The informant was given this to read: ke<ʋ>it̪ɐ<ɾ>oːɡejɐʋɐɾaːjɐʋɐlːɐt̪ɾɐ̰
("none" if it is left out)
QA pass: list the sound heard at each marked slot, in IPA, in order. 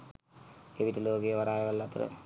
ʋ, l

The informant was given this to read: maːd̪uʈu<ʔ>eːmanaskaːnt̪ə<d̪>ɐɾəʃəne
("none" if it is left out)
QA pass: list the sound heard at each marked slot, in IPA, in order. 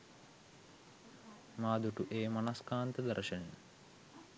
ʔ, d̪

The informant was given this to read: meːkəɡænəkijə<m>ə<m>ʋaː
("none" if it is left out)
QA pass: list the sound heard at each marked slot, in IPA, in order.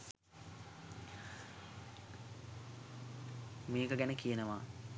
n, none

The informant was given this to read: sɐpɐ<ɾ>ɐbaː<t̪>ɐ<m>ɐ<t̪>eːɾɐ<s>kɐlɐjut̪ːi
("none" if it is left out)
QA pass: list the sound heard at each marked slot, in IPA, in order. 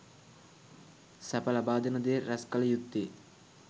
l, d̪, n, d̪, s

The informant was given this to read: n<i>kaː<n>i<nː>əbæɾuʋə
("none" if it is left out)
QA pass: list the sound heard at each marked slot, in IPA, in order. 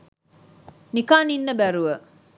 i, n, nː

